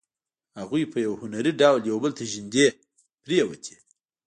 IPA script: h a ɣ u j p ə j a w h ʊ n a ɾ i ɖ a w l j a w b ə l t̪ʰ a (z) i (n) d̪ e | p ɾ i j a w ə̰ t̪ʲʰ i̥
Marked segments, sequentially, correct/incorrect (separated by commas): incorrect, correct